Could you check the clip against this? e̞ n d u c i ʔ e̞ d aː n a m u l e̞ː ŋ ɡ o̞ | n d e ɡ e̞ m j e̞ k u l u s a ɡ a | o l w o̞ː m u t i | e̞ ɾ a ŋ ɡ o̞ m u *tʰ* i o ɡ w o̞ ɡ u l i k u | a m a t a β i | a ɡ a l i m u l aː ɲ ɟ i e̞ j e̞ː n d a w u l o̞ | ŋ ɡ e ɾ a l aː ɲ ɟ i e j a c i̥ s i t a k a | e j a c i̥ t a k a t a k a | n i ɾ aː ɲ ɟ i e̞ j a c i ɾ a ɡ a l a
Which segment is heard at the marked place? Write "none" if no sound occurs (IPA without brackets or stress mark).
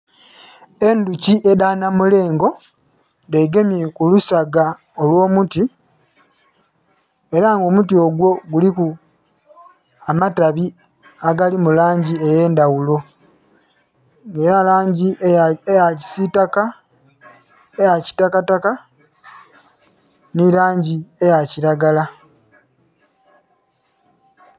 t